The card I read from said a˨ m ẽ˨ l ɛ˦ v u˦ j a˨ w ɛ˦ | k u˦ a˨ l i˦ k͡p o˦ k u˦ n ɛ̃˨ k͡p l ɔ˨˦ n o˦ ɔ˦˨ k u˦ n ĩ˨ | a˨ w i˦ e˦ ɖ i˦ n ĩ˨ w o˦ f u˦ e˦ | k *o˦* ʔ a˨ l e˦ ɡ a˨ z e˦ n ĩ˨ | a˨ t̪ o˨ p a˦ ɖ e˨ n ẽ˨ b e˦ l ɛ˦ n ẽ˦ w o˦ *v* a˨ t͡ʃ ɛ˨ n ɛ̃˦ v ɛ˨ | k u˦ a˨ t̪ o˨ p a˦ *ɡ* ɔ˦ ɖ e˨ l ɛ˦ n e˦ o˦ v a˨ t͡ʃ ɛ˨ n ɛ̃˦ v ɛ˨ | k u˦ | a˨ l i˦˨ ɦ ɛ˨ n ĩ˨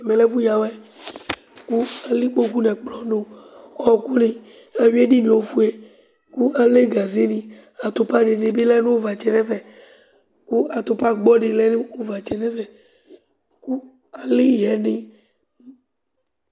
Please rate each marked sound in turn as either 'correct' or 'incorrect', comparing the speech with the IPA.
incorrect: u˦, correct, incorrect: ɡ͡b

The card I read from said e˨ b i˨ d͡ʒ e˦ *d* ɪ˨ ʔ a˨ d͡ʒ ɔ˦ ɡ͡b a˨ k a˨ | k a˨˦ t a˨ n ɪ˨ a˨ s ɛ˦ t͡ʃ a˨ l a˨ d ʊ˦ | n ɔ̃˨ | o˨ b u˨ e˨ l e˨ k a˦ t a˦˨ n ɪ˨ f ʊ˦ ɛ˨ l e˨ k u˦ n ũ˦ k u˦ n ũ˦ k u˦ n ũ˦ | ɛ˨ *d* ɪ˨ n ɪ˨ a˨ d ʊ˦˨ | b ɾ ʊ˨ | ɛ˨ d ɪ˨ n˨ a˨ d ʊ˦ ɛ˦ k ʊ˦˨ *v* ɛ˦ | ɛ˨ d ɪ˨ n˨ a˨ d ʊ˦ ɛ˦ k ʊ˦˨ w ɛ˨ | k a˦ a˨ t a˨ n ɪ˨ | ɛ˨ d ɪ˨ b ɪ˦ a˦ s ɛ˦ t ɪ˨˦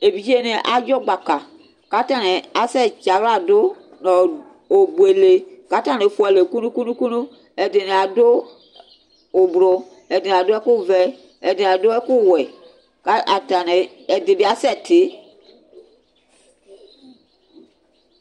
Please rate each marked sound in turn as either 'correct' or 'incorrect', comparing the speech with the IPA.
incorrect: n, correct, correct

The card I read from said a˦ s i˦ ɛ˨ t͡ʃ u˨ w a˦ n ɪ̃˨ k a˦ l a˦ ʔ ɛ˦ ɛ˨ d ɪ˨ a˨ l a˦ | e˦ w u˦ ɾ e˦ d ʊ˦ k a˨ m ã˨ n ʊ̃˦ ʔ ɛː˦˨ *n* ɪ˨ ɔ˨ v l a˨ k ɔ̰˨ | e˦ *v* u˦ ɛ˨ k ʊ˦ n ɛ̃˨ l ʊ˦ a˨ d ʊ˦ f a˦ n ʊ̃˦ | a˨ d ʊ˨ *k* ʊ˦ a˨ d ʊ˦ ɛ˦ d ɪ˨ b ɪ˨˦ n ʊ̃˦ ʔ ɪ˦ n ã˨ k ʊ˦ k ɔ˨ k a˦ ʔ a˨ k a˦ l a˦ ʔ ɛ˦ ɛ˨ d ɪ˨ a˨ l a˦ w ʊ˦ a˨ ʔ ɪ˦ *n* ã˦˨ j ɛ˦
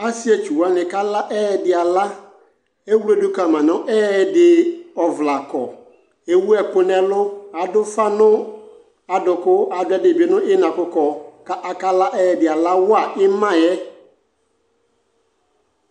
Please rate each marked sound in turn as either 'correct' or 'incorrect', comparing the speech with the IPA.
incorrect: d, incorrect: w, correct, incorrect: m

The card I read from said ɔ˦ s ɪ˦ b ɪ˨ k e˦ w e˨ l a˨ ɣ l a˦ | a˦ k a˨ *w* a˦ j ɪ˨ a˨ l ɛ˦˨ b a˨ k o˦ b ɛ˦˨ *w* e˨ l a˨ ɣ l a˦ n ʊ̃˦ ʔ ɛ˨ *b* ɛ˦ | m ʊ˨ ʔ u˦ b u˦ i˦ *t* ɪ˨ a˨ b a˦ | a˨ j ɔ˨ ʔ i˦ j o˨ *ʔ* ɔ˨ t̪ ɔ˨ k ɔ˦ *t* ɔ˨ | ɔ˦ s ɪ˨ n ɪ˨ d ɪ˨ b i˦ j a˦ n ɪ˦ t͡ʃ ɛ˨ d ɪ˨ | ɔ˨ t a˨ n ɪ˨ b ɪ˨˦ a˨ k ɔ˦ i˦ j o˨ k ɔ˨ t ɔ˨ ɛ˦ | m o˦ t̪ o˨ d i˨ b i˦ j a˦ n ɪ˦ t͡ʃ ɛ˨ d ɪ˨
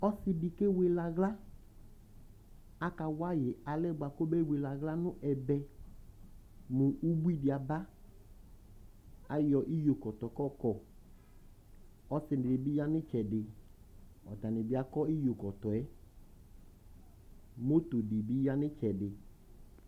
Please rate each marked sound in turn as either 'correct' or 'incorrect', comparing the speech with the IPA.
correct, correct, correct, incorrect: d, incorrect: k, incorrect: k

